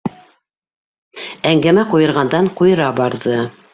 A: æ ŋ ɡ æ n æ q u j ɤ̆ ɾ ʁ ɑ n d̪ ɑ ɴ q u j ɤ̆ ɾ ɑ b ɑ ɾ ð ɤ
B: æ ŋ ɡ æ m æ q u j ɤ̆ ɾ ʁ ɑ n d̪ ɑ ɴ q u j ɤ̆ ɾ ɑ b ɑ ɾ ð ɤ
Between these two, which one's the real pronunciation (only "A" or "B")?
B